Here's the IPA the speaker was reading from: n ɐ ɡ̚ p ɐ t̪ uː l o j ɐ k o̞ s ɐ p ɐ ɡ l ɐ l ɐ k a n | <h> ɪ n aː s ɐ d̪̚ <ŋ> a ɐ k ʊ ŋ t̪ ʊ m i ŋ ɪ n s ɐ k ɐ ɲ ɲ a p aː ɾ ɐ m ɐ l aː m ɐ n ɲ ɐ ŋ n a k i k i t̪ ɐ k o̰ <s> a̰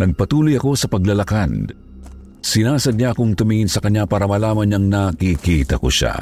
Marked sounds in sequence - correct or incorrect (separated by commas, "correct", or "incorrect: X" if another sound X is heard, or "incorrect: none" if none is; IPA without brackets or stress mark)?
incorrect: s, incorrect: ɲ, incorrect: ʃ